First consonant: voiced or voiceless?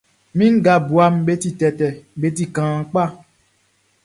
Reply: voiced